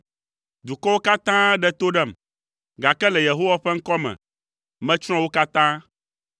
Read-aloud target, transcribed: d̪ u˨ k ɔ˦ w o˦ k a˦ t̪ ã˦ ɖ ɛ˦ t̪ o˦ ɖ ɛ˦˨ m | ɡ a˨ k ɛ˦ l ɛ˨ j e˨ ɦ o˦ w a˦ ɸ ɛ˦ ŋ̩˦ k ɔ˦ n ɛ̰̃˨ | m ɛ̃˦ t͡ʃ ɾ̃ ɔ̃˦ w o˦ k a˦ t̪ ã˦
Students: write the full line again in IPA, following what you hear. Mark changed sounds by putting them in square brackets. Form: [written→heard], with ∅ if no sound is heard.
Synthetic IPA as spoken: d̪ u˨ k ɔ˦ w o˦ k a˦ t̪ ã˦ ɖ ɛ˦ t̪ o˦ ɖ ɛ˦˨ m | ɡ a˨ k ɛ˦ l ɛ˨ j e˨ ɦ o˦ w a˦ ɸ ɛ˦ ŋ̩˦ k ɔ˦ [n→m] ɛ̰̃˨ | m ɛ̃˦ t͡ʃ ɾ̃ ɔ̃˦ w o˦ k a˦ t̪ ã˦